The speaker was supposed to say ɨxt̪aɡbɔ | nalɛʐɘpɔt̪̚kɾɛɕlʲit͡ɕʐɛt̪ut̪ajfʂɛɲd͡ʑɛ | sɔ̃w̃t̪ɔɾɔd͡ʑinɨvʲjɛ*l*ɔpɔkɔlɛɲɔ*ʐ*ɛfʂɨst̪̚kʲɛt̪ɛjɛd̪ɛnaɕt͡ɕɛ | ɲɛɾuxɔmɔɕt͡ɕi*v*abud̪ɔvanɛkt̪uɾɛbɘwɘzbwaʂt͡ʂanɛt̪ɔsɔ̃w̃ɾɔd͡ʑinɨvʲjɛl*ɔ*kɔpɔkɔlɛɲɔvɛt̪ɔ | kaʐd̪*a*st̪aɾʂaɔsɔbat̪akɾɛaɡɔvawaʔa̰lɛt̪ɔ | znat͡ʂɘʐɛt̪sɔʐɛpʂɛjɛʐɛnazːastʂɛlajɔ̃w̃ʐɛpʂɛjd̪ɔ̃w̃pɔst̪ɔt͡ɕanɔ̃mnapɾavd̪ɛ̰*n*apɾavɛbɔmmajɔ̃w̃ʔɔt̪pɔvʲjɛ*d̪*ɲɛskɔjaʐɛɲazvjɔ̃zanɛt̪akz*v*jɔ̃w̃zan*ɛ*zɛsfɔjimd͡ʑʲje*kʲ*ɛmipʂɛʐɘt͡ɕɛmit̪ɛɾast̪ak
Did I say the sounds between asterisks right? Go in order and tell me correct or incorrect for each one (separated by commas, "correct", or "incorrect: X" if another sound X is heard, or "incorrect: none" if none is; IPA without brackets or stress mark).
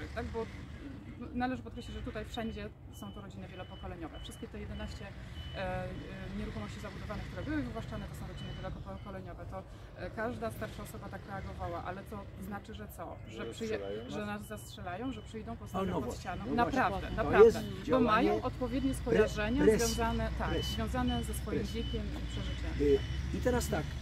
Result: correct, incorrect: v, incorrect: z, correct, correct, correct, correct, correct, correct, correct